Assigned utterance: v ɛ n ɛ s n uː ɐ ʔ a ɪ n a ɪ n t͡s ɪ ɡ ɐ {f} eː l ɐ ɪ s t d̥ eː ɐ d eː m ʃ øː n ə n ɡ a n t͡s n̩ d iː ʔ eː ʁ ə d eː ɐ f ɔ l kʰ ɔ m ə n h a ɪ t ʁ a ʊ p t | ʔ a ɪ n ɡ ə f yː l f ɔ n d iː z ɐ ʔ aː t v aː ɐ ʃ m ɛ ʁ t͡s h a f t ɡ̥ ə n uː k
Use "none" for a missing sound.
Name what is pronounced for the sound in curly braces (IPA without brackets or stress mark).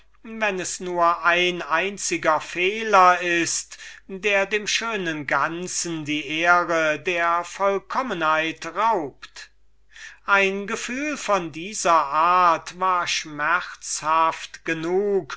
f